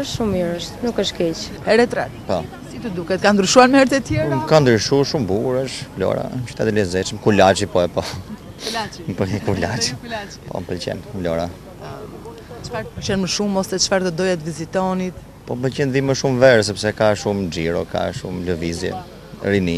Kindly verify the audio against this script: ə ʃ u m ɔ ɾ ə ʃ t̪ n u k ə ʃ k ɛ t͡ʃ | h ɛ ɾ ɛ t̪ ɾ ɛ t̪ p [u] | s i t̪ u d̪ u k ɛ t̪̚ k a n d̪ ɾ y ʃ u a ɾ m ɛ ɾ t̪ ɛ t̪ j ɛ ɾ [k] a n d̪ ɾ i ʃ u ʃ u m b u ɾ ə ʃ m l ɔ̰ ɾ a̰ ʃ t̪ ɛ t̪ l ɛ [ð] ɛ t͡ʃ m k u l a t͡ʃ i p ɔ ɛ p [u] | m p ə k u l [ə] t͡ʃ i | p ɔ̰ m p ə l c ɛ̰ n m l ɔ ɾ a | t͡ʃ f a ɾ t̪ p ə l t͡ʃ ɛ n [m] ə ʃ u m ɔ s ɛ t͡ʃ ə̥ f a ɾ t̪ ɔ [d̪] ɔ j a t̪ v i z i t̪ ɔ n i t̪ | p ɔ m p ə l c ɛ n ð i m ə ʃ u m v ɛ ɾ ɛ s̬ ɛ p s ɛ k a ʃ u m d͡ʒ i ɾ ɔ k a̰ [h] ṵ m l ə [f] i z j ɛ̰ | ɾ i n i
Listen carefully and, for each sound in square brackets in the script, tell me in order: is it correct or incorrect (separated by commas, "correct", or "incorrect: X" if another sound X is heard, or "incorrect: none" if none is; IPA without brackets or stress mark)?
incorrect: ɔ, correct, incorrect: z, incorrect: ɔ, incorrect: a, correct, correct, incorrect: ʃ, incorrect: v